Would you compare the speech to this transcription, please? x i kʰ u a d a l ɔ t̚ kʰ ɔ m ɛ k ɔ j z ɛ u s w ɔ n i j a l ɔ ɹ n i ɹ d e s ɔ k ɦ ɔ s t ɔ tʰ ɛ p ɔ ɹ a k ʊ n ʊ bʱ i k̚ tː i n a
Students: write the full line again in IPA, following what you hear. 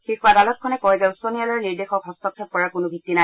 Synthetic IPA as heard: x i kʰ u a d a l ɔ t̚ kʰ ɔ n ɛ k ɔ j z ɛ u s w ɔ n i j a l ɔ ɹ n i ɹ d e x ɔ k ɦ ɔ s t ɔ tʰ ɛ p ɔ ɹ a k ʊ n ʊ bʱ i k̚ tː i n a